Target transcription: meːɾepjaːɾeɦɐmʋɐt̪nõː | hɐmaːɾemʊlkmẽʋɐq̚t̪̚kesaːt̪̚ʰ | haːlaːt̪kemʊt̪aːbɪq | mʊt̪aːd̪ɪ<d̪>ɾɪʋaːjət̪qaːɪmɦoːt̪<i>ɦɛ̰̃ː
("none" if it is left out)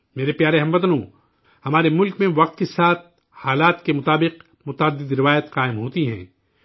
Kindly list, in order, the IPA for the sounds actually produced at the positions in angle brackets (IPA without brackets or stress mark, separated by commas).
d̪, i